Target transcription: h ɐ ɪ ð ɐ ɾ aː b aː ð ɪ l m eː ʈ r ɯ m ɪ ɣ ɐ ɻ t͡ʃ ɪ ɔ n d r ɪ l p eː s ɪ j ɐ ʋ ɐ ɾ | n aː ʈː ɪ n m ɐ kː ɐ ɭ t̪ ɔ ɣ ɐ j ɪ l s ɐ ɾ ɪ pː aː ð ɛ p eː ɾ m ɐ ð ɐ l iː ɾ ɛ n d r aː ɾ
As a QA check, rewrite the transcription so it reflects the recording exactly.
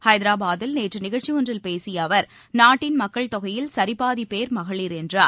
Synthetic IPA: h ɐ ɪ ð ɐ ɾ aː b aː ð ɪ l n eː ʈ r ɯ n ɪ ɣ ɐ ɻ t͡ʃ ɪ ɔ n d r ɪ l p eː s ɪ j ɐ ʋ ɐ ɾ | n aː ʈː ɪ n m ɐ kː ɐ ɭ t̪ ɔ ɣ ɐ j ɪ l s ɐ ɾ ɪ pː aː ð i p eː ɾ m ɐ ɣ ɐ ɭ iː ɾ ɛ n d r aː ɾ